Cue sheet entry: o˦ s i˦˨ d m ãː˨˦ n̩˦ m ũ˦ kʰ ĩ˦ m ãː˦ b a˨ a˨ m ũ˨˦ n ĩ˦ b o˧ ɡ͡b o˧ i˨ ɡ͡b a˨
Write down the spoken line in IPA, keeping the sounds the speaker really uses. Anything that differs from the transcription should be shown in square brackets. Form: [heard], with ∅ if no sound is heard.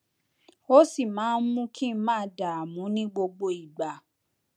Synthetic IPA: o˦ s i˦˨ [∅] m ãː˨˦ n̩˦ m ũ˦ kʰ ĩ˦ m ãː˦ [d] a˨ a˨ m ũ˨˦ n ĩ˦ [ɡ͡b] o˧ ɡ͡b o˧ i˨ ɡ͡b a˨